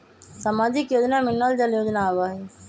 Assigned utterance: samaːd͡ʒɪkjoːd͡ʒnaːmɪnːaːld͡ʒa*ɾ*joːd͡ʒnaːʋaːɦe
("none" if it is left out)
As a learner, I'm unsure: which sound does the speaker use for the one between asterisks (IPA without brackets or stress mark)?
l